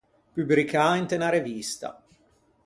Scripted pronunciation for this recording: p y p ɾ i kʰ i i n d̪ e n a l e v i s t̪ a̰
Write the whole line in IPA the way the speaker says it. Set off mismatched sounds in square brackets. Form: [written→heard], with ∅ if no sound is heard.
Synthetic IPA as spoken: p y [p→b] ɾ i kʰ [i→a] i n [d̪→t̪] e n a [l→ɾ] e v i s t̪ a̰